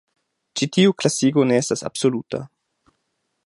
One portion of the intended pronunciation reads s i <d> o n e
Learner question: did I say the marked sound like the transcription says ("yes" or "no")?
no